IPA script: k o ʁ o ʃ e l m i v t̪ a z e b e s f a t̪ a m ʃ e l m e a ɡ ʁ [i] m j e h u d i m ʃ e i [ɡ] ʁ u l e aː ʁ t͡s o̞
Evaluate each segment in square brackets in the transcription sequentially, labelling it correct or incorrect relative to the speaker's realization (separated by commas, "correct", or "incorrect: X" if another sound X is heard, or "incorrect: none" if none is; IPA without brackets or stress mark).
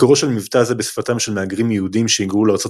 correct, correct